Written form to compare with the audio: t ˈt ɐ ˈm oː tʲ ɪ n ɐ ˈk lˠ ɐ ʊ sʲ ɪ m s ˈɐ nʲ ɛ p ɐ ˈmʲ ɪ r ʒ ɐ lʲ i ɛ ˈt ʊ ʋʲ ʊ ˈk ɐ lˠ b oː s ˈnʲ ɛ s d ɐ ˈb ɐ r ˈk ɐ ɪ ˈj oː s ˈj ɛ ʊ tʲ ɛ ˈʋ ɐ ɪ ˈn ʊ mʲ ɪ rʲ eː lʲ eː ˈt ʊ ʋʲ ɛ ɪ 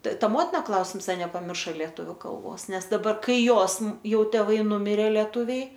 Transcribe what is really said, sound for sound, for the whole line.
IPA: t ˈt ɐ ˈm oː tʲ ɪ n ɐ ˈk lˠ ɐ ʊ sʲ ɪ m s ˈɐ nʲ ɛ p ɐ ˈmʲ ɪ r ʃ ɐ lʲ i ɛ ˈt ʊ ʋʲ ʊ ˈk ɐ lˠ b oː s ˈnʲ ɛ s d ɐ ˈb ɐ r ˈk ɐ ɪ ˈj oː s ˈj ɛ ʊ tʲ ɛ ˈʋ ɐ ɪ ˈn ʊ mʲ ɪ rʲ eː lʲ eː ˈt ʊ ʋʲ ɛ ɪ